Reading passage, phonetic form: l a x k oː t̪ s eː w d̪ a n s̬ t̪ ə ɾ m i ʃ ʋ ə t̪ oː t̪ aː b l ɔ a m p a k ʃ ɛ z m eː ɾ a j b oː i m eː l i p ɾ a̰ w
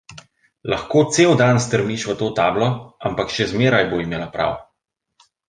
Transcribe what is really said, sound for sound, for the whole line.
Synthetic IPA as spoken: l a x k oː t̪ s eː w d̪ a n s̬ t̪ ə ɾ m i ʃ ʋ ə t̪ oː t̪ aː b l ɔ a m p a k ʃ ɛ z m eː ɾ a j b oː i m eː l a p ɾ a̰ w

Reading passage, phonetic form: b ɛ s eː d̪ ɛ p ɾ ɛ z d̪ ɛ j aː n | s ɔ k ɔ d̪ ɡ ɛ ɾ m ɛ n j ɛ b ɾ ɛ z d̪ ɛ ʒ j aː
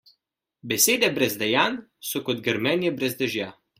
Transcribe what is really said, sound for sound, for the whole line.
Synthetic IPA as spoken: b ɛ s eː d̪ ɛ b ɾ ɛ z d̪ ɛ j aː n | s ɔ k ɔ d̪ ɡ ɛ ɾ m ɛ n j ɛ b ɾ ɛ z d̪ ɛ ʒ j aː

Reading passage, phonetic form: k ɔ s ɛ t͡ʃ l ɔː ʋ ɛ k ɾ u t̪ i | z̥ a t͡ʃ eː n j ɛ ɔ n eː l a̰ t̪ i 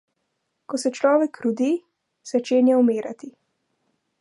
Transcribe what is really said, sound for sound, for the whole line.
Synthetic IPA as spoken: k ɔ s ɛ t͡ʃ l ɔː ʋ ɛ k ɾ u d̪ i | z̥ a t͡ʃ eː n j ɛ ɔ m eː ɾ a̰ t̪ i

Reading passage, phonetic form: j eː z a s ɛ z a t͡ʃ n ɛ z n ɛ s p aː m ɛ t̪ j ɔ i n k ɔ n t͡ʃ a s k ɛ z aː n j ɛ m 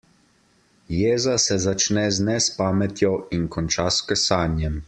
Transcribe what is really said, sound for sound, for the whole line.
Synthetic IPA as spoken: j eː z a s ɛ z a t͡ʃ n ɛ z n ɛ s p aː m ɛ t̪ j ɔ i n k ɔ n t͡ʃ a s k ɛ s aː n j ɛ m

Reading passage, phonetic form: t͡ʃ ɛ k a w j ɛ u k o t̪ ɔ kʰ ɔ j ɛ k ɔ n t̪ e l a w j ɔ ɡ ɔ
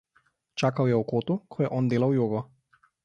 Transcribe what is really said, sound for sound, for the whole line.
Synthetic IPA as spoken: t͡ʃ a k a w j ɛ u k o t̪ u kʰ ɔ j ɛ ʔ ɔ n d̪ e l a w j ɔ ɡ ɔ

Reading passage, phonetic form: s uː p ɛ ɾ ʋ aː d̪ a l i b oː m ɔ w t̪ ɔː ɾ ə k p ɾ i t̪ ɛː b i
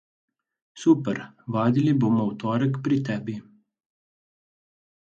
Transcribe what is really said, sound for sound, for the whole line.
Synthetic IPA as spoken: s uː p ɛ ɾ ʋ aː d̪ i l i b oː m ɔ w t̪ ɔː ɾ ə k p ɾ i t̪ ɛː b i

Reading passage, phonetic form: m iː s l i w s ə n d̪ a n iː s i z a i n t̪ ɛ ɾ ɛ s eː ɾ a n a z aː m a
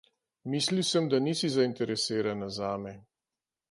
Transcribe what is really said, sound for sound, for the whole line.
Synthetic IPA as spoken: m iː s l i w s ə m d̪ a n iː s i z a i n t̪ ɛ ɾ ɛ s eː ɾ a n a z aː m ɛ

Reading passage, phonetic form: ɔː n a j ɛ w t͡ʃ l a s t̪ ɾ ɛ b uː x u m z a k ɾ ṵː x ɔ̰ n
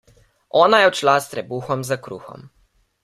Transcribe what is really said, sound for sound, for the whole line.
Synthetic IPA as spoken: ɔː n a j ɛ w t͡ʃ l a s t̪ ɾ ɛ b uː x ɔ m z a k ɾ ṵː x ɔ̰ m

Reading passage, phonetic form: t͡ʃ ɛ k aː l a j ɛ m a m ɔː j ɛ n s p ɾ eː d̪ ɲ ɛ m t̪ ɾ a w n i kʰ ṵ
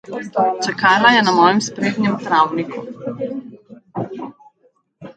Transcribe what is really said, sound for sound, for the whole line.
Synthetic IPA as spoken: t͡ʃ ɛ k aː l a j ɛ n a m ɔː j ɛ m s p ɾ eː d̪ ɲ ɛ m t̪ ɾ a w n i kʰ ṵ

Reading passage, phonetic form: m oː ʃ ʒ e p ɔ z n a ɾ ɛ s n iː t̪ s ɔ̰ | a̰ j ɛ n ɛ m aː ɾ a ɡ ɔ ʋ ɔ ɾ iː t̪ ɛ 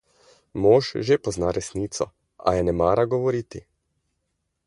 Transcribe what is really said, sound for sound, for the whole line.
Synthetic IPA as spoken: m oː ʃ ʒ e p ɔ z n a ɾ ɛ s n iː t̪ s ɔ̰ | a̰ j ɛ n ɛ m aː ɾ a ɡ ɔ ʋ ɔ ɾ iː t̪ i

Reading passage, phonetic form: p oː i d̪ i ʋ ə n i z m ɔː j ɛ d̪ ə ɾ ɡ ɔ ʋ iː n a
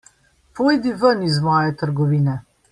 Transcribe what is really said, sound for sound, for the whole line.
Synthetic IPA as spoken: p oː j d̪ i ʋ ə n i z m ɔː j ɛ t̪ ə ɾ ɡ ɔ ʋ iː n ɛ

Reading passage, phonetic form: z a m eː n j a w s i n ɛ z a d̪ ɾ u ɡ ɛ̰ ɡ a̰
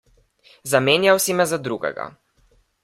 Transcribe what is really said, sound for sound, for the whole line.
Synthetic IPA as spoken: z a m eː n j a w s i m ɛ z a d̪ ɾ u ɡ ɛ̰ ɡ a̰

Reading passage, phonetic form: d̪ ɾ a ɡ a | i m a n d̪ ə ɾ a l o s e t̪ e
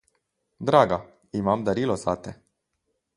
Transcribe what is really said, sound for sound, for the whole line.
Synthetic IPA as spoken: d̪ ɾ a ɡ a | i m a m d̪ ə ɾ i l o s a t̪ e

